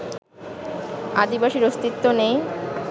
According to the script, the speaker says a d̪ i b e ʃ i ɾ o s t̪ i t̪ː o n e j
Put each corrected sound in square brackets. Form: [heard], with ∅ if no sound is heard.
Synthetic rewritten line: a d̪ i b [a] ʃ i ɾ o s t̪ i t̪ː o n e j

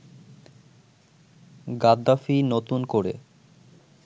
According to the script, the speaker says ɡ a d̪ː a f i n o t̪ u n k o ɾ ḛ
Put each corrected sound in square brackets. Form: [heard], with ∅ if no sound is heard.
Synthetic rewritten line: ɡ a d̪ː a f i n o t̪ u n k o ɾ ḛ

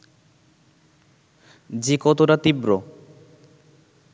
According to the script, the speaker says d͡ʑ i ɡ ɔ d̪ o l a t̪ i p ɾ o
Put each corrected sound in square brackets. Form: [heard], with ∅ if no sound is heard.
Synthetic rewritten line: d͡ʑ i [k] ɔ [t̪] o [ɾ] a t̪ i [b] ɾ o

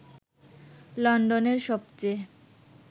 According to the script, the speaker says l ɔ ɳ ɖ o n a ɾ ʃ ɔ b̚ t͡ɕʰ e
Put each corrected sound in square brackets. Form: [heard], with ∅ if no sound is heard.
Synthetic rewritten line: l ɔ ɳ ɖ o n [e] ɾ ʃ ɔ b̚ [t͡ɕ] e

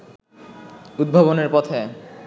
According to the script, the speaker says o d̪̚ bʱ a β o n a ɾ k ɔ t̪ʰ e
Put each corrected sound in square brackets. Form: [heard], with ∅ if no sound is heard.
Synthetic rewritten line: [u] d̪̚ bʱ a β o n [e] ɾ [p] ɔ t̪ʰ e

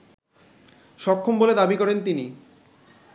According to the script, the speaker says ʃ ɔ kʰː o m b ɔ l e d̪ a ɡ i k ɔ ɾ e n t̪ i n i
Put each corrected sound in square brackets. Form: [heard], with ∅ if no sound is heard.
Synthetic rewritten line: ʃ ɔ kʰː o m b [o] l e d̪ a [b] i k ɔ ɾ e n t̪ i n i

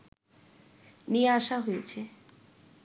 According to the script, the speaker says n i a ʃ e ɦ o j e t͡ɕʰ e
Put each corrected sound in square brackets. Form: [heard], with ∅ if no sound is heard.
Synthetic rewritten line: n i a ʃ [a] ɦ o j e t͡ɕʰ e

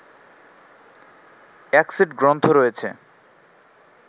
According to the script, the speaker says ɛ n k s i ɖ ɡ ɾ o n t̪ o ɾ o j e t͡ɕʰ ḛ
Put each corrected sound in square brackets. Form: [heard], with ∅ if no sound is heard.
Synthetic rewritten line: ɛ [∅] k s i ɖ ɡ ɾ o n [t̪ʰ] o ɾ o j e t͡ɕʰ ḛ

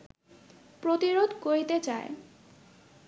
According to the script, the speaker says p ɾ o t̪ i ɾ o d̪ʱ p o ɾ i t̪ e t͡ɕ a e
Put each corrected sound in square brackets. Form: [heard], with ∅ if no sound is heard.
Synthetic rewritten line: p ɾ o t̪ i ɾ o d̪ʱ [k] o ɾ i t̪ e t͡ɕ a e

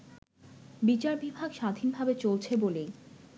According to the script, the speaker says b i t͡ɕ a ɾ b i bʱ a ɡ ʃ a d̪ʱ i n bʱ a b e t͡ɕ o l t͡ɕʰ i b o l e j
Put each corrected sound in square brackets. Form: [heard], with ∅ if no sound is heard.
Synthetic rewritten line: b i t͡ɕ a ɾ b i bʱ a ɡ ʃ a d̪ʱ i n bʱ a b e t͡ɕ o l t͡ɕʰ [e] b o l e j

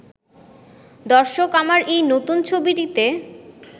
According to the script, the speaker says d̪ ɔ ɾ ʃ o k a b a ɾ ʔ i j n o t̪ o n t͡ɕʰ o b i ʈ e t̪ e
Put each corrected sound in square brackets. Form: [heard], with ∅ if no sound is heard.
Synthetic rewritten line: d̪ ɔ ɾ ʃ o k a [m] a ɾ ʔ [e] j n o t̪ [u] n t͡ɕʰ o b i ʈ [i] t̪ e

